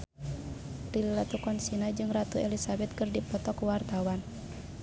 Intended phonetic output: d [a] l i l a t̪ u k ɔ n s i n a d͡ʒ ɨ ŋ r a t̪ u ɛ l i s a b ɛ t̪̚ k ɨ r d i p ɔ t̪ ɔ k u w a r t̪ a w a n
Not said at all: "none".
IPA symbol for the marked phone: i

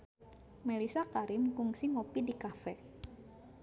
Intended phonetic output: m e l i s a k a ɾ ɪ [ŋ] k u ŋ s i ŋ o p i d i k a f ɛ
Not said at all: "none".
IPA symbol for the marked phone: m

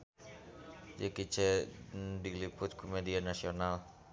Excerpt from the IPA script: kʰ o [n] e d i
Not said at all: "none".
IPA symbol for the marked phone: m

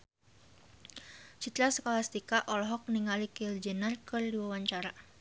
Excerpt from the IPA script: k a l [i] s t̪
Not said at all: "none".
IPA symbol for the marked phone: a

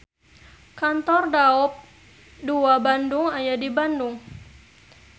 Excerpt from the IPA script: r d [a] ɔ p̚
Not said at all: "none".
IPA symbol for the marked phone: a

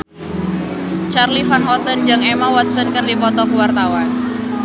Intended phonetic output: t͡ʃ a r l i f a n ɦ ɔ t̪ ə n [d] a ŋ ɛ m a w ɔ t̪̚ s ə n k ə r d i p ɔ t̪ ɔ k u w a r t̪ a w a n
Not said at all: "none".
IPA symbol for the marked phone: d͡ʒ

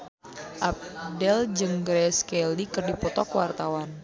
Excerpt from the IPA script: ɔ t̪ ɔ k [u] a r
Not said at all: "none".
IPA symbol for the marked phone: w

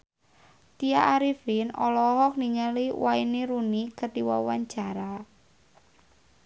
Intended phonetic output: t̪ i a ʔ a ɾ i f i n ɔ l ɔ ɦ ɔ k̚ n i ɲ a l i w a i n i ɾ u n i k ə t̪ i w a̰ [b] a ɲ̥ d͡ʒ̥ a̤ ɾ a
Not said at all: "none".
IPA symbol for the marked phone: w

